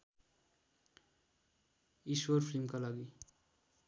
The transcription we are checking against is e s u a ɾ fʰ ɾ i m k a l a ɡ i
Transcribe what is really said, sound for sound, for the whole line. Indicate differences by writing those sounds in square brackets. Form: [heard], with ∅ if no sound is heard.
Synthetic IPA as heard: [i] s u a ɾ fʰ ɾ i m k a l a ɡ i

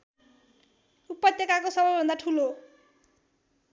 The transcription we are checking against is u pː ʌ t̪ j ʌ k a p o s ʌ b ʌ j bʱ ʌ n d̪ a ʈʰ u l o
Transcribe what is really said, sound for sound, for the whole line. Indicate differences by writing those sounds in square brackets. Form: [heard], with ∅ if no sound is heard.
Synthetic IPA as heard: u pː ʌ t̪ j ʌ k a [k] o s ʌ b ʌ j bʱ ʌ n d̪ a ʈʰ u l o

